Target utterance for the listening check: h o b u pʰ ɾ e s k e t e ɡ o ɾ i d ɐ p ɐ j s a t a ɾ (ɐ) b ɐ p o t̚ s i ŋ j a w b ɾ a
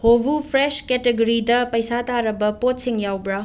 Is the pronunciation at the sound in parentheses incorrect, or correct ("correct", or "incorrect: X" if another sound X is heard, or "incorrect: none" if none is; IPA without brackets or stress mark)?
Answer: correct